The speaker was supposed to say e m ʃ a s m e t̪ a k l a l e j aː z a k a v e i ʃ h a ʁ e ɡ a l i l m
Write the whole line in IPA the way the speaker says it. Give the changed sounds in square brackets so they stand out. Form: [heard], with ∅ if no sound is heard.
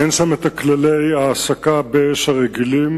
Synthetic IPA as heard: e [n] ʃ a [∅] m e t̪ a k l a l e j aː [s] a k a [b] e [e] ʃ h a ʁ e ɡ [i] l i [∅] m